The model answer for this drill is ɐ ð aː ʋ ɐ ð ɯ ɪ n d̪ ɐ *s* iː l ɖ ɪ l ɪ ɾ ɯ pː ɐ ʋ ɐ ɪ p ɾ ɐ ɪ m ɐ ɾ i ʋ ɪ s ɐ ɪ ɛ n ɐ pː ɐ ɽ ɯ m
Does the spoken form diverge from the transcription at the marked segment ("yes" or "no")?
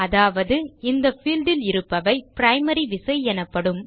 yes